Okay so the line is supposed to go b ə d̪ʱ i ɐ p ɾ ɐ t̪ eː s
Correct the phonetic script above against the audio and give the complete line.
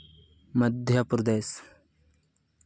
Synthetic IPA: m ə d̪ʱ j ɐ p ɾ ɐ d̪ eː s